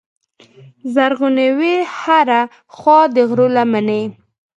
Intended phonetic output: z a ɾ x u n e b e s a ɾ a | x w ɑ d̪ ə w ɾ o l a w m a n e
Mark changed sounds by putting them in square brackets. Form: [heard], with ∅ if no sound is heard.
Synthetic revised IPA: z a ɾ [ɣ] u n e [w] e [h] a ɾ a | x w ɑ d̪ ə [ɣ] ɾ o l a [∅] m a n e